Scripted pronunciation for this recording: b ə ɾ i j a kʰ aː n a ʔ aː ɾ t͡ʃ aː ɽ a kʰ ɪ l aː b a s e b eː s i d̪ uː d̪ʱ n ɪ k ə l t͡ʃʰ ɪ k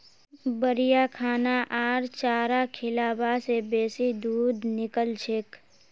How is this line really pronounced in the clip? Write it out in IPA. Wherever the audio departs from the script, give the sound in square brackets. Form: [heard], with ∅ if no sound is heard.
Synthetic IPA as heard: b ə ɾ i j a kʰ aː n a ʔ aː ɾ t͡ʃ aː [ɾ] a kʰ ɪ l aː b a s e b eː s i d̪ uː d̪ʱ n ɪ k ə l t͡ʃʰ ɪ k